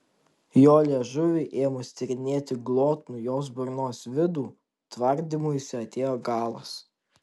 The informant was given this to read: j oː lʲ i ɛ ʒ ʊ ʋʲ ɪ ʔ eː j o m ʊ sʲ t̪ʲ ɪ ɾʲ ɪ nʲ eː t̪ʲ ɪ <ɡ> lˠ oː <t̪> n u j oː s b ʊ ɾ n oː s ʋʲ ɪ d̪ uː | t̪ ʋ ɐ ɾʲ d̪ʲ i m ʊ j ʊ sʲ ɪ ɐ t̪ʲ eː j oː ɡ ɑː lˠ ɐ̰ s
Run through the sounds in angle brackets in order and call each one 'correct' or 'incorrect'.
correct, correct

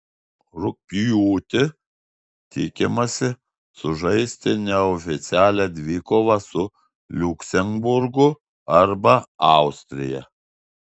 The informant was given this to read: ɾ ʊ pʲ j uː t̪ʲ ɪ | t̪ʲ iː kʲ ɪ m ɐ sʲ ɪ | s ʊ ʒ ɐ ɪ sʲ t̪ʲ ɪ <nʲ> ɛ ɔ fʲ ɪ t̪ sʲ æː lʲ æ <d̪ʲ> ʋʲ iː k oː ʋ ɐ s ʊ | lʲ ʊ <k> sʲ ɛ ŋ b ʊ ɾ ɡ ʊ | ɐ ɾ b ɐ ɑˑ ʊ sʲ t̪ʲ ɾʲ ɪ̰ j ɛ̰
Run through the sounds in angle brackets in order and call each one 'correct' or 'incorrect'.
correct, correct, correct

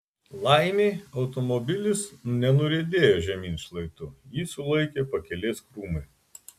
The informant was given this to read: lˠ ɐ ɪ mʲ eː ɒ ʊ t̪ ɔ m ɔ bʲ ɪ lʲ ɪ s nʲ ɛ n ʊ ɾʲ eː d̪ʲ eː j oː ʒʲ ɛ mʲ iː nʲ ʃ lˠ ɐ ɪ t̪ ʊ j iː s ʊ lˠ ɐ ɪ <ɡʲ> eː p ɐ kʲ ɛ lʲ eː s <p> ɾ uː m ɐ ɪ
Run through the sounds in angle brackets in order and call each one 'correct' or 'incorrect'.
incorrect: kʲ, incorrect: k

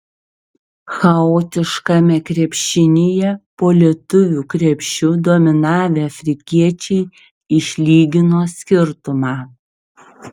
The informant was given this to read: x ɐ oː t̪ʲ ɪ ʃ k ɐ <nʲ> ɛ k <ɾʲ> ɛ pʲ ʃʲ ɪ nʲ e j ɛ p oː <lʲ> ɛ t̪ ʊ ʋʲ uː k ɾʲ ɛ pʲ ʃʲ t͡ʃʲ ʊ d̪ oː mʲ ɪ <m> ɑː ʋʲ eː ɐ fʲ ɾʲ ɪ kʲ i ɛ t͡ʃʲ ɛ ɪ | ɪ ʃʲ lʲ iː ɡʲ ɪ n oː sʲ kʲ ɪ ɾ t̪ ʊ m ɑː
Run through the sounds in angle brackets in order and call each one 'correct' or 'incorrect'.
incorrect: mʲ, correct, correct, incorrect: n

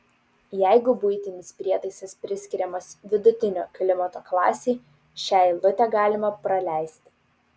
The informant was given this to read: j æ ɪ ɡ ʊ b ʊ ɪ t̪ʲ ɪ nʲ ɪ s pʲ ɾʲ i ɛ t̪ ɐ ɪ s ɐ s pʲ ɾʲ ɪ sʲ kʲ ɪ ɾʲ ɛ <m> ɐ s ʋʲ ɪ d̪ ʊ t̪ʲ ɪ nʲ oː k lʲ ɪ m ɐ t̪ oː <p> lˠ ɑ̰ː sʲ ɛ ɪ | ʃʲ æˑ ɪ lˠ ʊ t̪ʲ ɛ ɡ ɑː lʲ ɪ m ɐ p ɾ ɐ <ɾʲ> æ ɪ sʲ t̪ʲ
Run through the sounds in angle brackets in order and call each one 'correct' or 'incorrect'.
correct, incorrect: k, incorrect: lʲ

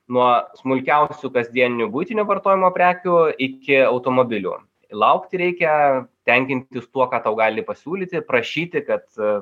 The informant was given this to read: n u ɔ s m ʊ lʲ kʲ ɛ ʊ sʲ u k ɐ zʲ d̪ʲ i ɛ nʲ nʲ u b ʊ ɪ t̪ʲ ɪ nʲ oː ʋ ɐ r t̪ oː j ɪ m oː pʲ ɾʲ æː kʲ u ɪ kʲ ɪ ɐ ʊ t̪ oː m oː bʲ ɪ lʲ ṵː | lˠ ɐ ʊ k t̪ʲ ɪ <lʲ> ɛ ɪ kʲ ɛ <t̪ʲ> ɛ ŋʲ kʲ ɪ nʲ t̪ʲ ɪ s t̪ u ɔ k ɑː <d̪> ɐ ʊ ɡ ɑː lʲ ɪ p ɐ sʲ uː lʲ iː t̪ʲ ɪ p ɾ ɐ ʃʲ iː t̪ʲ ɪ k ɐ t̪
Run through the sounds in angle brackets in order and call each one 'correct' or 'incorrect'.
incorrect: ɾʲ, correct, incorrect: t̪

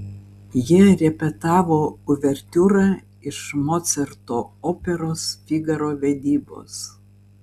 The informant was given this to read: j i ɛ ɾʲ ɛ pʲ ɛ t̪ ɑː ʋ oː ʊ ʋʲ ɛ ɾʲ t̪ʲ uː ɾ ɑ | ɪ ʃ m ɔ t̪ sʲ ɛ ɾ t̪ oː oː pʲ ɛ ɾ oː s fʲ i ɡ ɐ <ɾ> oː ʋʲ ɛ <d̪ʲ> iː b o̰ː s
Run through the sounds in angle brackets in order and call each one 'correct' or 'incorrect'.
correct, correct

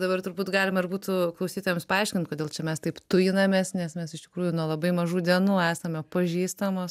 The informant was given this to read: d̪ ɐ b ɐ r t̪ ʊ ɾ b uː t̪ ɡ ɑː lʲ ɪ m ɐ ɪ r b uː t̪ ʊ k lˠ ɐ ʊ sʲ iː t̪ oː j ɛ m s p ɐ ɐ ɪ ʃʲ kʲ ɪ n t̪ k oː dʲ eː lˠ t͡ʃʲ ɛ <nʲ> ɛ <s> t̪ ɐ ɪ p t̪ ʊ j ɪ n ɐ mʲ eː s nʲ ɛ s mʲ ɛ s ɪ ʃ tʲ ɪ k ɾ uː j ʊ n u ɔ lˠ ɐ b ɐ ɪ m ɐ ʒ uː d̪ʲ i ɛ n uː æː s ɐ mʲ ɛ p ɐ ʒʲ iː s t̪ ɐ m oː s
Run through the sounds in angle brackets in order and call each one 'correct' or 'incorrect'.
incorrect: mʲ, correct

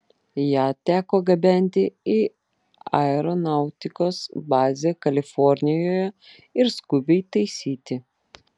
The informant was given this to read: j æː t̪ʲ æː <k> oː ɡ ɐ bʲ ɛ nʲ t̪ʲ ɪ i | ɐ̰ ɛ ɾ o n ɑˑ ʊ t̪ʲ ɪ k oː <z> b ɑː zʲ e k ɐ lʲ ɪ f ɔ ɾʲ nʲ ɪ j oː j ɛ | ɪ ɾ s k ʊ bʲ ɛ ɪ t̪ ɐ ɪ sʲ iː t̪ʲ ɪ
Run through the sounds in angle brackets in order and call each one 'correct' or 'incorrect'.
correct, incorrect: s

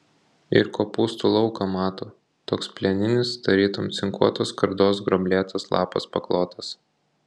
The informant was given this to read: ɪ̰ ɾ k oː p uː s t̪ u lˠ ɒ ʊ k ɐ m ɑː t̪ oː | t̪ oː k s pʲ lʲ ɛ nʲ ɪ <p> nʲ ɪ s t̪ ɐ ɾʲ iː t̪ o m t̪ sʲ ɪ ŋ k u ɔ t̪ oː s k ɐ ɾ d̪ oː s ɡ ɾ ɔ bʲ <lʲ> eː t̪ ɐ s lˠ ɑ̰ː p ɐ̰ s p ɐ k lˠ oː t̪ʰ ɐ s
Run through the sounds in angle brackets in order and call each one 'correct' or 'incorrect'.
incorrect: none, correct

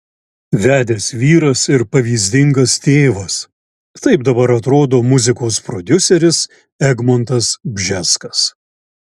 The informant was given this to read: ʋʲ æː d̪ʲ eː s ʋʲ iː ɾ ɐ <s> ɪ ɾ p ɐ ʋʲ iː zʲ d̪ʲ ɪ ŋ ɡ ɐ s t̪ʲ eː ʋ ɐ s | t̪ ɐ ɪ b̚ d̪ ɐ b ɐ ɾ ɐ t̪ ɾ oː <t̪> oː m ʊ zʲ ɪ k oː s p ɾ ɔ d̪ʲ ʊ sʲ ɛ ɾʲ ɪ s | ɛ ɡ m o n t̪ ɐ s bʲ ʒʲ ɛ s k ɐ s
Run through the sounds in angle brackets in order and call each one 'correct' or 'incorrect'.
correct, incorrect: d̪

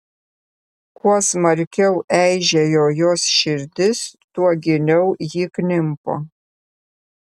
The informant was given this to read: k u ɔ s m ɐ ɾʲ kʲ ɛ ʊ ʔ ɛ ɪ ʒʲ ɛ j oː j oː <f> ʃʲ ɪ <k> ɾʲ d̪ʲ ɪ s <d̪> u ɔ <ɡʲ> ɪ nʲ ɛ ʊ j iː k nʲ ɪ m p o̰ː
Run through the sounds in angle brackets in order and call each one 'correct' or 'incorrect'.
incorrect: s, incorrect: none, incorrect: t̪, correct

